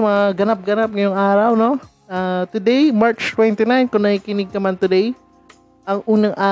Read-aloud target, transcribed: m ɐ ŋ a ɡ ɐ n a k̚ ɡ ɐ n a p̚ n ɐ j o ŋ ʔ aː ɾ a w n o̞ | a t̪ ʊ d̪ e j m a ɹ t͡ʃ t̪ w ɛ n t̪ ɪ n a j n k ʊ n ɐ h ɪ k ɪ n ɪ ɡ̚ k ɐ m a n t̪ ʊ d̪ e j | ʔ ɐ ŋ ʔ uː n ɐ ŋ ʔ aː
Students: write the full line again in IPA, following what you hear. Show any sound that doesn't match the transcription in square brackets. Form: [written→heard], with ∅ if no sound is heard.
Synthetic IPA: m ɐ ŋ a ɡ ɐ n a [k̚→p̚] ɡ ɐ n a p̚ [n→ŋ] ɐ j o ŋ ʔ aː ɾ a w n o̞ | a t̪ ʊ d̪ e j m a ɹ t͡ʃ t̪ w ɛ n t̪ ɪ n a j n k ʊ n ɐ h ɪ k ɪ n ɪ ɡ̚ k ɐ m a n t̪ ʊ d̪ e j | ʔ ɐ ŋ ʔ uː n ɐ ŋ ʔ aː